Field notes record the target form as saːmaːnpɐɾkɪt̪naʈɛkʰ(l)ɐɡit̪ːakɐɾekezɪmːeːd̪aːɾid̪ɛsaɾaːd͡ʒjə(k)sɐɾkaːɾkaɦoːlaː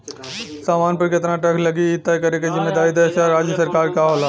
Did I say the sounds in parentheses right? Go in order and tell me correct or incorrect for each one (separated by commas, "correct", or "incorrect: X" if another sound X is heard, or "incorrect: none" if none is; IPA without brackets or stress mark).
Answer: correct, incorrect: none